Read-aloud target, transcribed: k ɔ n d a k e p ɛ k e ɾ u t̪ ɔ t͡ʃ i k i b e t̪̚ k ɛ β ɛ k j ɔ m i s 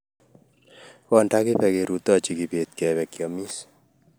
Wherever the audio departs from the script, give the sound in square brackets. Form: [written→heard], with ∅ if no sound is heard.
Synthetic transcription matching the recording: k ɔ n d a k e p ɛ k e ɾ u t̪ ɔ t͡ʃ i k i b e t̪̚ k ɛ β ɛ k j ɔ m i s